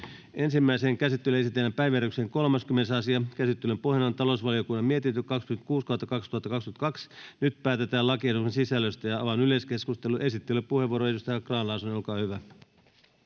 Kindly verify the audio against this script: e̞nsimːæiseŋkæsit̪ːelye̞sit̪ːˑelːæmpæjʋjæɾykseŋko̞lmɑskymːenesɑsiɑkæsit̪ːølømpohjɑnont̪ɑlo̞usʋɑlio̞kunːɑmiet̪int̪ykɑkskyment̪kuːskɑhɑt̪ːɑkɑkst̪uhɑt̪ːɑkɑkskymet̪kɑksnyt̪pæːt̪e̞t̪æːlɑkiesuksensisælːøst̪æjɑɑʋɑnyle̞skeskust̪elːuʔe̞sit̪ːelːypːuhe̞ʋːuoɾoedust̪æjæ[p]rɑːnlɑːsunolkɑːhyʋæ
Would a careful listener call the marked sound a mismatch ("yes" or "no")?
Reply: yes